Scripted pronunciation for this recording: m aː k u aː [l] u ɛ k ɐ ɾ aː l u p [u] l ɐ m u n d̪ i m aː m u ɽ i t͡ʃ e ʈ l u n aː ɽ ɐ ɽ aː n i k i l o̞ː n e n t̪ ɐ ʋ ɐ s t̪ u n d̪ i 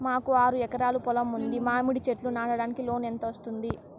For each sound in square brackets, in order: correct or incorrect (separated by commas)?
incorrect, incorrect